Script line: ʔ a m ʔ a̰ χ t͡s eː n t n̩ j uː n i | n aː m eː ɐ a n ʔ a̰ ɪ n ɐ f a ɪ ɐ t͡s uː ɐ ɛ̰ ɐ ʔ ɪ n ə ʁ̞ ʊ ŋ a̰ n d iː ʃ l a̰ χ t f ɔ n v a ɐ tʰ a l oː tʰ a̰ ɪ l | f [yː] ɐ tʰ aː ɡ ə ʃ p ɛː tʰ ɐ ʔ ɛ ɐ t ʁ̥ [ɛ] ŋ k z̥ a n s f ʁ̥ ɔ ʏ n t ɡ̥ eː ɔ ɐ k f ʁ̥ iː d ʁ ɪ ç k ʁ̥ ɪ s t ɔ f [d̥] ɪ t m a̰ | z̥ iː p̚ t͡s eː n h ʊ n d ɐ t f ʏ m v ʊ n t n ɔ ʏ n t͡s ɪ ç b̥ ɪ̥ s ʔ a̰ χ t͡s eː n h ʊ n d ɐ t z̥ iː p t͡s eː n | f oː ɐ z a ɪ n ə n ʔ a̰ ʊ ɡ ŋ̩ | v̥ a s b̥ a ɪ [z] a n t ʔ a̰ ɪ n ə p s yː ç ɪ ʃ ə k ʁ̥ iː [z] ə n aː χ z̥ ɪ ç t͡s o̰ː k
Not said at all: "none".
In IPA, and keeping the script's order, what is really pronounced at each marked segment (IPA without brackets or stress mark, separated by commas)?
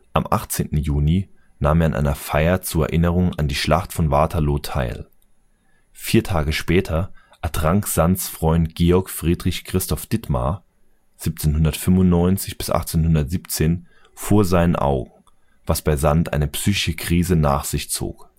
iː, a, d̥, z, z